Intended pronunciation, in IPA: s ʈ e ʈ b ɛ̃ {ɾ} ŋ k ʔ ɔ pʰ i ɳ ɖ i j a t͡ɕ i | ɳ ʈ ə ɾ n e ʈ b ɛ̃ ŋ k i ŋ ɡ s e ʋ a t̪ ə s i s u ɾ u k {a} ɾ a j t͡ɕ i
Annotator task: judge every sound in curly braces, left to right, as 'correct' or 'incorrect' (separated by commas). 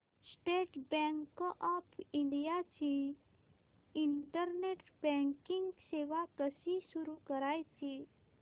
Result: incorrect, incorrect